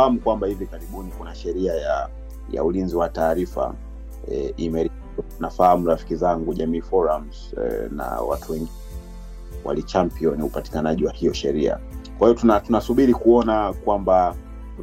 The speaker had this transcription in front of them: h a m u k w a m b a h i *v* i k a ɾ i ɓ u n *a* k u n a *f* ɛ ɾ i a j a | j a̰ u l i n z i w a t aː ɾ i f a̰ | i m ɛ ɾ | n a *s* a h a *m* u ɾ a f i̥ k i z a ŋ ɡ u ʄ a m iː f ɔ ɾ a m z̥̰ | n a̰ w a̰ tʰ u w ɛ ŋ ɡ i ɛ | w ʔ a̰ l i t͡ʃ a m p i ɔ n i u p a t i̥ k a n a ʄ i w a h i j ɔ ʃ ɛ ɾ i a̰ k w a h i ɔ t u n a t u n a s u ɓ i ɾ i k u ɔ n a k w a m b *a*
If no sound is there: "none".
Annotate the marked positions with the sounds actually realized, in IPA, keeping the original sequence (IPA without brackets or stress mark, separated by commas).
v, i, ʃ, f, m, a